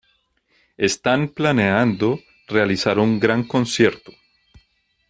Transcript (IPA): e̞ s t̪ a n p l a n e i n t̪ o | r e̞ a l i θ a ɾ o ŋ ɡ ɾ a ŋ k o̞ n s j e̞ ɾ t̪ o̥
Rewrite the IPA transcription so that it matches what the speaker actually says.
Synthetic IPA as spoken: e̞ s t̪ a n p l a n e a n d̪ o | r e̞ a l i s a ɾ u ŋ ɡ ɾ a ŋ k o̞ n s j e̞ ɾ t̪ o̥